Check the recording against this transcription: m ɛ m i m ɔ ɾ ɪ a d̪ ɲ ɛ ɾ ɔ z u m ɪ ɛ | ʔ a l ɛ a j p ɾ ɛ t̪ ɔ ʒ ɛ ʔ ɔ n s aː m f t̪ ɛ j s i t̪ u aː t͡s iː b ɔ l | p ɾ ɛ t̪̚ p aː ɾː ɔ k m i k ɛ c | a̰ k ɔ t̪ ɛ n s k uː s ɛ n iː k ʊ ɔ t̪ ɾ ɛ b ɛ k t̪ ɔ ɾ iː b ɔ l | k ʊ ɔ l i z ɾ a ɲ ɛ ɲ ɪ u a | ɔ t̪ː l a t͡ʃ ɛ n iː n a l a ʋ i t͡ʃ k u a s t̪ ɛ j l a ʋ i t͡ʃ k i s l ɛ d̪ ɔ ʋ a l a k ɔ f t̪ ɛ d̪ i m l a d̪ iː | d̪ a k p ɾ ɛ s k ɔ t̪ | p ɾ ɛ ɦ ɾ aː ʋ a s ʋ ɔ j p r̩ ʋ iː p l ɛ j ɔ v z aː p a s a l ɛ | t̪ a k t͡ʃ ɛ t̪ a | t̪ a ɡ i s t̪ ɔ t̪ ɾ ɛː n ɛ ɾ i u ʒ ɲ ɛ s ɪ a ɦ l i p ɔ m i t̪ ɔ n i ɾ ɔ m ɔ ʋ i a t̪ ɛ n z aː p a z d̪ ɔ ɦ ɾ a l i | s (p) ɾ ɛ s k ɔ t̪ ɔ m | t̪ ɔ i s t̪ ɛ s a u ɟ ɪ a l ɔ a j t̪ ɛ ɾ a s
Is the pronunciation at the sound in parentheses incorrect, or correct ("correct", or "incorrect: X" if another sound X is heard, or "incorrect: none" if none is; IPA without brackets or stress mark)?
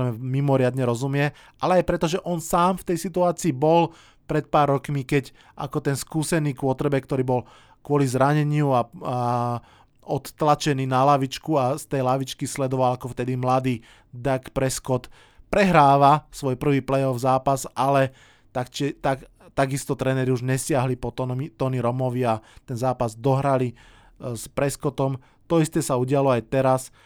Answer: correct